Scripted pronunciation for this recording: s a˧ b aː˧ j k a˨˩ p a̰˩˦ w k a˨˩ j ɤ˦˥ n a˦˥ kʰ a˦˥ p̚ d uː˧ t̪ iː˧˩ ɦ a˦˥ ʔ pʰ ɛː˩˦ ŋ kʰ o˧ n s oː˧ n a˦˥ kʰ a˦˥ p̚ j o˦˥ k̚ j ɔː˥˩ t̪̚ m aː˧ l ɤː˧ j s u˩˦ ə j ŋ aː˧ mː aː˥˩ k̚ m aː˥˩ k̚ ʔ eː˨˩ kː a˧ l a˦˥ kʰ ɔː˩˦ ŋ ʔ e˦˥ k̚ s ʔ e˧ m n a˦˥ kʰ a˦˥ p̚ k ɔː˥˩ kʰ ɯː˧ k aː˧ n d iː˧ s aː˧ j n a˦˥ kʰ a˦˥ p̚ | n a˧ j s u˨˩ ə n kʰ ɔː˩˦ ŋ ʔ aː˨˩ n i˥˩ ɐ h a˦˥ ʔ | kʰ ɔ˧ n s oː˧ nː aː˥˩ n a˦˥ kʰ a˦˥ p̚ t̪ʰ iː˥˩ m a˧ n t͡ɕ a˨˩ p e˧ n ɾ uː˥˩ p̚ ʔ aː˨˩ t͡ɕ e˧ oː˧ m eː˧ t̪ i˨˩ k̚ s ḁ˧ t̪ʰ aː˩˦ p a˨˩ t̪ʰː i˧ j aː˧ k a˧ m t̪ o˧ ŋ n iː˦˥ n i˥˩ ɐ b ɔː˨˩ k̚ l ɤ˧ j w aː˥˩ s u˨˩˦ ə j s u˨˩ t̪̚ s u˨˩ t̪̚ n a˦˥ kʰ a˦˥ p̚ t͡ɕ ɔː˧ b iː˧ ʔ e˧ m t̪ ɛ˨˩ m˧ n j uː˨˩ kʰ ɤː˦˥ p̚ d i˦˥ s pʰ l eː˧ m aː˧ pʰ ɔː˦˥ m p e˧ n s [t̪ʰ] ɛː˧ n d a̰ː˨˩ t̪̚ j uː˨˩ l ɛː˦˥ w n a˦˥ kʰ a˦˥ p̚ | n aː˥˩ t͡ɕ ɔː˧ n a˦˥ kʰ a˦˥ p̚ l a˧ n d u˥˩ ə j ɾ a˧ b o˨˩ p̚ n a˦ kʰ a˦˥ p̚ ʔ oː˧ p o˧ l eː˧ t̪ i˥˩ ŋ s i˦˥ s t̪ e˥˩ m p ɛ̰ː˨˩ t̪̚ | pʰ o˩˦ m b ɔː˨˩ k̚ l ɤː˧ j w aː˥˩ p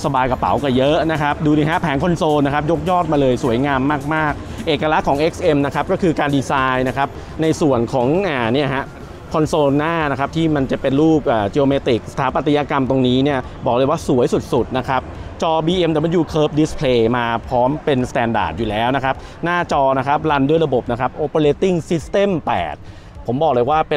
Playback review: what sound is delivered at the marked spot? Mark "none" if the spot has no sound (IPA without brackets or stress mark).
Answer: t̪